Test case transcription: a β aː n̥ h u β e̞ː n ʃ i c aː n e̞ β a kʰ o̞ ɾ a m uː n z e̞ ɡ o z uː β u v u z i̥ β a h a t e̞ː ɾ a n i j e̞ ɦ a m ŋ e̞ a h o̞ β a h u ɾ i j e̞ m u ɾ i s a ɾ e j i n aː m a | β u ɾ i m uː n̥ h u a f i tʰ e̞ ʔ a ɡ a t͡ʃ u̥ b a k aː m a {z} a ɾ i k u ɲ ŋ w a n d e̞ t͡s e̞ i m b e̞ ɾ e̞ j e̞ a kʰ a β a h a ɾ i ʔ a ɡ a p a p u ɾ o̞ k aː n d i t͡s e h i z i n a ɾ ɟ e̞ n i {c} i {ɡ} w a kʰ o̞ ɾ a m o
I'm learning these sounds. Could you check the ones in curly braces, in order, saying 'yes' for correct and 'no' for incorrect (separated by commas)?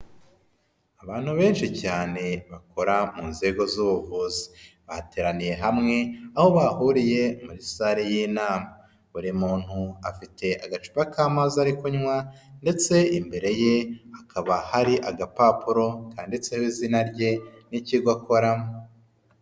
yes, yes, yes